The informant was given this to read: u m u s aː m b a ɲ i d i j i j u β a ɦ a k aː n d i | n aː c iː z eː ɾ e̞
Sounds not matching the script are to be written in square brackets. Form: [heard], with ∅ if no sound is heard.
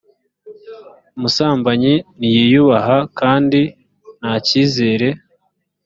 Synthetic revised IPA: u m u s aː m b a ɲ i [n] i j i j u β a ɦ a k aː n d i | n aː c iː z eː ɾ e̞